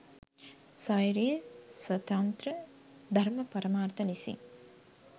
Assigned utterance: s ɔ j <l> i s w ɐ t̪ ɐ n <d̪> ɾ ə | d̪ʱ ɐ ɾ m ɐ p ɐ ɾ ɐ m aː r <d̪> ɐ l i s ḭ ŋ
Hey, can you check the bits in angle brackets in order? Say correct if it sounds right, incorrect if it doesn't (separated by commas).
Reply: incorrect, incorrect, incorrect